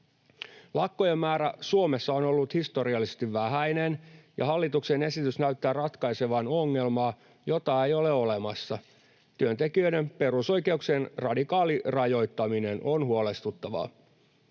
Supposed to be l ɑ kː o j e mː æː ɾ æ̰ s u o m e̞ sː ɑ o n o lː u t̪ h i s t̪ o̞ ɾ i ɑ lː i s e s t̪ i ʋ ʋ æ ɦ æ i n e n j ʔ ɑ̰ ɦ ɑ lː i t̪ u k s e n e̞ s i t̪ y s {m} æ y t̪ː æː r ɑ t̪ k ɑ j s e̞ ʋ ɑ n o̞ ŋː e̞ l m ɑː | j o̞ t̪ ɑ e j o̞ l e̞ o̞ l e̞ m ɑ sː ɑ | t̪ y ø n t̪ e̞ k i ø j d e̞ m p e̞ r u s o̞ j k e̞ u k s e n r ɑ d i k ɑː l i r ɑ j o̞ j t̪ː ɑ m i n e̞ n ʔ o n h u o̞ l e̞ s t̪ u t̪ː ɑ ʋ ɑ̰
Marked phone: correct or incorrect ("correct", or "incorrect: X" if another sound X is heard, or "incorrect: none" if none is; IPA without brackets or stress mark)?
incorrect: n